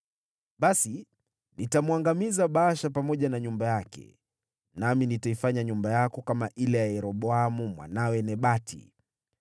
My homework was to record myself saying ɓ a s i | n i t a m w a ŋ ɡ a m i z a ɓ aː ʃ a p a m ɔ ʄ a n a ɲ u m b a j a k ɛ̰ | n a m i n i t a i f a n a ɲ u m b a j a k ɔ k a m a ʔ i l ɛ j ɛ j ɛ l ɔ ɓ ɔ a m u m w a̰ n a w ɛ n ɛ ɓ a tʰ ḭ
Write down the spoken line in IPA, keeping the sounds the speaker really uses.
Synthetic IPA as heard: ɓ a s i | n i t a m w a ŋ ɡ a m i z a ɓ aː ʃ a p a m ɔ ʄ a n a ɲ u m b a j a k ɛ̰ | n a m i n i t a i f a ɲ a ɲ u m b a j a k ɔ k a m a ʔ i l ɛ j a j ɛ ɾ ɔ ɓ ɔ a m u m w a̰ n a w ɛ n ɛ ɓ a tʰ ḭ